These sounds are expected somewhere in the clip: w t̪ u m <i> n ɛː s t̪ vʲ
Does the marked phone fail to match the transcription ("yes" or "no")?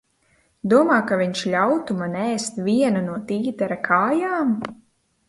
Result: yes